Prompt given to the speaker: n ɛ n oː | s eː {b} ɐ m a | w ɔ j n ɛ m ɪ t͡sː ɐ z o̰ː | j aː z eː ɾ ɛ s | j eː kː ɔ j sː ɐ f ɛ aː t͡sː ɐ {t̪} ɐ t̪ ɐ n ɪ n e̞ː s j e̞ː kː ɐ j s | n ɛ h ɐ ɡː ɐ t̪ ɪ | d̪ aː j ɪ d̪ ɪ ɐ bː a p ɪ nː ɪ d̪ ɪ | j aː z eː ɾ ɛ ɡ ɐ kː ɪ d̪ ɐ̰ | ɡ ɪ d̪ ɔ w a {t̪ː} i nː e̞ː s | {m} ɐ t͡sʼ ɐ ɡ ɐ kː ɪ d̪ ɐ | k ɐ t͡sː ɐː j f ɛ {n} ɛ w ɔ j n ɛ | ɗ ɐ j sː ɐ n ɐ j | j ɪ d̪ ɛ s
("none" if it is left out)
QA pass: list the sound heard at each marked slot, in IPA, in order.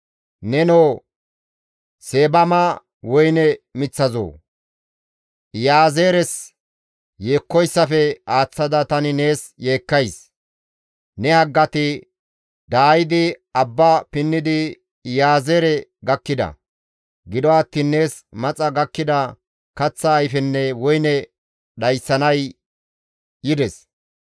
b, d̪, t̪ː, m, nː

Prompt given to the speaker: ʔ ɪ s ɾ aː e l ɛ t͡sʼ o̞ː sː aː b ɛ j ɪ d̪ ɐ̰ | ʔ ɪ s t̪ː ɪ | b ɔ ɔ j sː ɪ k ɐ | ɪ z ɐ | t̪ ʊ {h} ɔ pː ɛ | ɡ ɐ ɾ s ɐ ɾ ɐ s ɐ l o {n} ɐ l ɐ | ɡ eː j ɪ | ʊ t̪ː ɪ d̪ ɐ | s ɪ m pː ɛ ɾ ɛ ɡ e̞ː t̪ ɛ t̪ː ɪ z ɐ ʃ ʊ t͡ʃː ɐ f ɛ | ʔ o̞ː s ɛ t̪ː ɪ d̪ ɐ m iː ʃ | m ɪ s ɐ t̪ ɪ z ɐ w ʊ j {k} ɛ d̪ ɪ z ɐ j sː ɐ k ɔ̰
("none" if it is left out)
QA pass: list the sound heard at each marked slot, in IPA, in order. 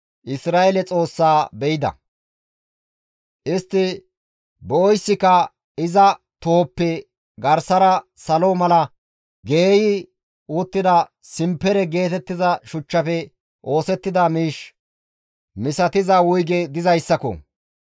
h, m, ɡ

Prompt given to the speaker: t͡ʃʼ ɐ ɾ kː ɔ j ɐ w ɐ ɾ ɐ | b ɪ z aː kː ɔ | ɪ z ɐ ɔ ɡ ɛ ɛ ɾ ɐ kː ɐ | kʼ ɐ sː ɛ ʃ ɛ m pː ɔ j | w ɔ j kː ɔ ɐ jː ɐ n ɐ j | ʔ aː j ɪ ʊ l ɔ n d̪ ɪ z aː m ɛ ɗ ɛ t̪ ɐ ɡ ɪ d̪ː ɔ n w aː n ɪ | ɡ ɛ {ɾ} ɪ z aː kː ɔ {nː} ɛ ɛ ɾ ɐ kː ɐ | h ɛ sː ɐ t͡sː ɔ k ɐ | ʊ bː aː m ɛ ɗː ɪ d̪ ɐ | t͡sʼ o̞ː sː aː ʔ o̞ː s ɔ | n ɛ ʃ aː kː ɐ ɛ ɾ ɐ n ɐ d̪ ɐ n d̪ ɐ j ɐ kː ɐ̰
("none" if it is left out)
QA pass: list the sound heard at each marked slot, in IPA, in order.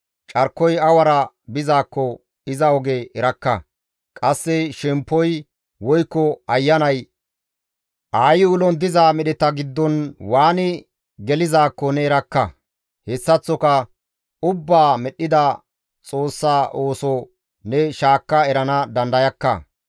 l, n

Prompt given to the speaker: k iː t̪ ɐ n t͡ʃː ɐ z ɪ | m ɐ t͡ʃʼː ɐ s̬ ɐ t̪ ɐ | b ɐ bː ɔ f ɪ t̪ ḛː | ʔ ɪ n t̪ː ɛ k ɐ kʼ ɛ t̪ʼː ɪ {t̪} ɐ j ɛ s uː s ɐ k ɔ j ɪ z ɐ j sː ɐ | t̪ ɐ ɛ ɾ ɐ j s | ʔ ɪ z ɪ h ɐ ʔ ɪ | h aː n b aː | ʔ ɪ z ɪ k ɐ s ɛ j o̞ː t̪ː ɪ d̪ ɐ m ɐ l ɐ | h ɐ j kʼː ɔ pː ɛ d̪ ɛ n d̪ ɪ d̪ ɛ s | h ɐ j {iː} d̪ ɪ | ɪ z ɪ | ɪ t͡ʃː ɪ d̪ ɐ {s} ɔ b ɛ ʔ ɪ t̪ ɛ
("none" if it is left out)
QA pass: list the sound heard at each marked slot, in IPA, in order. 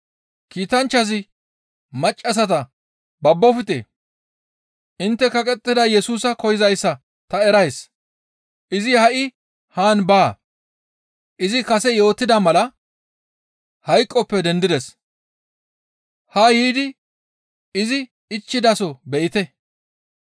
d̪, iː, s

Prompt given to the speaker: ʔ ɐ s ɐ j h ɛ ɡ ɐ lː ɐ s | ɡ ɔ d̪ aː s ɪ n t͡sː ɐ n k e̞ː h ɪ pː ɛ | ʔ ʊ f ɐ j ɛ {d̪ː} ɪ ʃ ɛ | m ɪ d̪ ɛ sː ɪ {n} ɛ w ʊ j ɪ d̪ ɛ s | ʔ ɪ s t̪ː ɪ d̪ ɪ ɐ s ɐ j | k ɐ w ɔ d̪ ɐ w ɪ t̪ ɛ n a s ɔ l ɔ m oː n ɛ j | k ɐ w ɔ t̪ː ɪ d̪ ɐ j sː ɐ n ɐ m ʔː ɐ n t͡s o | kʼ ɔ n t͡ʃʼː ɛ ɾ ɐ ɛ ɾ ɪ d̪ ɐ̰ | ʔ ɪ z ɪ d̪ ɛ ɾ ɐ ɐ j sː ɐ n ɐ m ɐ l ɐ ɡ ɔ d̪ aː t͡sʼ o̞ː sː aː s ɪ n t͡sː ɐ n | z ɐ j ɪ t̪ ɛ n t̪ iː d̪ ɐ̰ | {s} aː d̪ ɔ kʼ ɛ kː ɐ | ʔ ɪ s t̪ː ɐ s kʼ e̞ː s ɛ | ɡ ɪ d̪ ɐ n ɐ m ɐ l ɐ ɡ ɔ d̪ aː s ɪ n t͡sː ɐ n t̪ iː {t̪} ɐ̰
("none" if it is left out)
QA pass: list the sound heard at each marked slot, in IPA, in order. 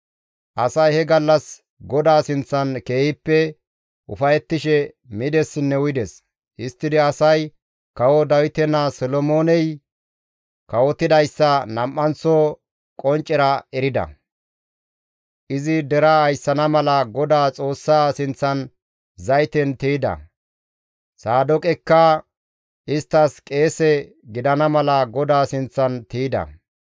t̪ː, nː, s, d̪

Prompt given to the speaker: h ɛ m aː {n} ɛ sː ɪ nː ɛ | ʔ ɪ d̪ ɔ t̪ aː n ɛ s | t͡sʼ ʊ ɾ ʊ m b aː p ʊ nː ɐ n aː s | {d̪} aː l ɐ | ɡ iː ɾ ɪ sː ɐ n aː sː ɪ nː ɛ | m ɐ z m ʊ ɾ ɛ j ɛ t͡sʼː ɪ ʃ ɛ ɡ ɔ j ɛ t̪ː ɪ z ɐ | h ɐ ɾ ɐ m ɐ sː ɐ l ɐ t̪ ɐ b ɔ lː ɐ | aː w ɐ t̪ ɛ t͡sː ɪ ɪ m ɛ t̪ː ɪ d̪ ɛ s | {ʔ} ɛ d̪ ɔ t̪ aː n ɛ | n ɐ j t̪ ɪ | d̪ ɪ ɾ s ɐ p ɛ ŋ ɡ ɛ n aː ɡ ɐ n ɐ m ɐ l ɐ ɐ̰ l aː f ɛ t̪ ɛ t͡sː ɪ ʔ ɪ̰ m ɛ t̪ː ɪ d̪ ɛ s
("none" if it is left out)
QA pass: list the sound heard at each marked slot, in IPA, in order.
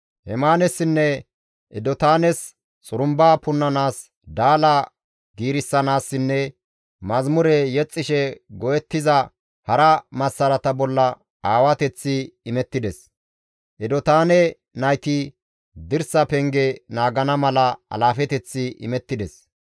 n, d̪, ʔ

